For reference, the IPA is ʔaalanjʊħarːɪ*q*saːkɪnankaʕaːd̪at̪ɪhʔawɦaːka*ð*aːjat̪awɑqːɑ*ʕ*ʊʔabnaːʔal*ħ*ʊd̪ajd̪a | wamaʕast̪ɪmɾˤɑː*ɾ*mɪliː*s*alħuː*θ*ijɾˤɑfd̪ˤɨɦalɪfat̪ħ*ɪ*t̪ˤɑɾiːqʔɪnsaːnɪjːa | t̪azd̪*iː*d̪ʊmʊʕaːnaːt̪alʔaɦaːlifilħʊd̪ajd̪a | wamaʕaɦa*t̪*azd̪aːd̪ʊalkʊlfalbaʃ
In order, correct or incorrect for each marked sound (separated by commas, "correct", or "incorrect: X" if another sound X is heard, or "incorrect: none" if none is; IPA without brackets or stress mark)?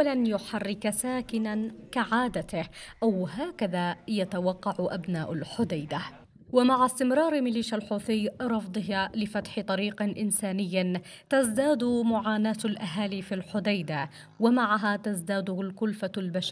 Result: incorrect: k, correct, correct, correct, correct, incorrect: ʃ, correct, correct, incorrect: aː, correct